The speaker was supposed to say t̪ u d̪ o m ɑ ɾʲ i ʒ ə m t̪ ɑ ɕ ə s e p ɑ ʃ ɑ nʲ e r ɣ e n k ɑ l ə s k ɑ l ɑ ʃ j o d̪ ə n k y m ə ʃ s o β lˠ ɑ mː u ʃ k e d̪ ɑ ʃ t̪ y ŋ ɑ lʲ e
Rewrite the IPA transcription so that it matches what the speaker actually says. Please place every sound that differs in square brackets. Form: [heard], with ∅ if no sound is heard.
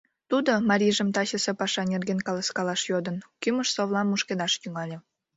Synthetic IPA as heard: t̪ u d̪ o m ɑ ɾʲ i ʒ ə m t̪ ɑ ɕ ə s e p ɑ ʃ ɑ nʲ e r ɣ e n k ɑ l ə s k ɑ l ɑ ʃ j o d̪ ə n k y m ə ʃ s o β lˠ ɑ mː u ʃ k e d̪ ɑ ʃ t̪ y ŋ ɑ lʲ e